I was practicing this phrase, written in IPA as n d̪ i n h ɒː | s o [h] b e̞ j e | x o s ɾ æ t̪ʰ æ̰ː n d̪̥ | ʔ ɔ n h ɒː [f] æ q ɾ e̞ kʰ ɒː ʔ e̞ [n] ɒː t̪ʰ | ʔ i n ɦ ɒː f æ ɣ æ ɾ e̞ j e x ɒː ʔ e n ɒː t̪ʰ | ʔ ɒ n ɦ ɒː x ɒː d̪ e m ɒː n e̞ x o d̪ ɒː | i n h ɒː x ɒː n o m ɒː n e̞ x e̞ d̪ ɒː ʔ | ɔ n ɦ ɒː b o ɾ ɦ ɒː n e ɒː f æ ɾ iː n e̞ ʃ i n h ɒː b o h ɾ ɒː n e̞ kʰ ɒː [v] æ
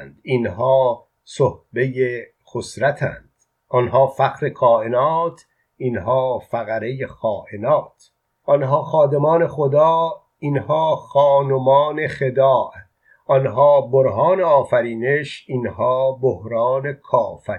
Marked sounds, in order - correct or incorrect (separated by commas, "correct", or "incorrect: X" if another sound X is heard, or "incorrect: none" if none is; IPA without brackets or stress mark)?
correct, correct, correct, incorrect: f